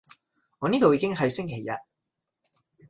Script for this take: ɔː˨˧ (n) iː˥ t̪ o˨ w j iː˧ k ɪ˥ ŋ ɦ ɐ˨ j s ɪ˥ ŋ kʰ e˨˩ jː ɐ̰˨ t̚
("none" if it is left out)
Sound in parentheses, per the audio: n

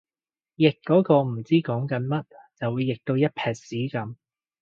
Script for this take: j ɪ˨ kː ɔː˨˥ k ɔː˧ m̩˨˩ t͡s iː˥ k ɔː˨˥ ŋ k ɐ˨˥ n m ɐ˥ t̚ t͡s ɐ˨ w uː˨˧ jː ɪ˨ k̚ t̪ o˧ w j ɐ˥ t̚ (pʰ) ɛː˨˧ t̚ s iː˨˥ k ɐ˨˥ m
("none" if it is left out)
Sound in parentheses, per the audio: pʰ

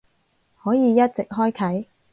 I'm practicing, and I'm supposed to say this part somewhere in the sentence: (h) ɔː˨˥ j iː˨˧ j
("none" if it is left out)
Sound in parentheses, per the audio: h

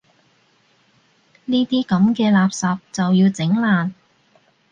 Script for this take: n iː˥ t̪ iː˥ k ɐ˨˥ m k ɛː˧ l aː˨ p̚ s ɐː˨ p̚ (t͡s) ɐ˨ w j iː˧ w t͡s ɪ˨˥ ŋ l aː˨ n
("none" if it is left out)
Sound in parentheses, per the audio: t͡s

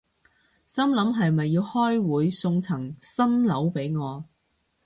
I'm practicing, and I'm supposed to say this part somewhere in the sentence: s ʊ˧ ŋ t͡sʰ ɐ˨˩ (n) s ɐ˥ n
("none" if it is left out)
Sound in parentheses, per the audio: ŋ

